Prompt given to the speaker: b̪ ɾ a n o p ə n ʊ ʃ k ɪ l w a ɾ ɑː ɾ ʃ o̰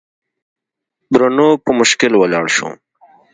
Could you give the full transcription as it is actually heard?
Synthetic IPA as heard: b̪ ɾ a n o p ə m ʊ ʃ k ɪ l w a l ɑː ɽ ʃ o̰